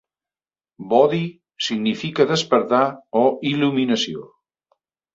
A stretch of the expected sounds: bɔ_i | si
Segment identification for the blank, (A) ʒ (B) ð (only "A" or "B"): B